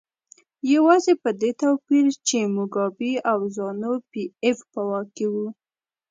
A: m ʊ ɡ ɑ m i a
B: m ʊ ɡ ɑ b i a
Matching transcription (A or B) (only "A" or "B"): B